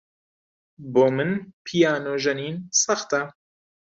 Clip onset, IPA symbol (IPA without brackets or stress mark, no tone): b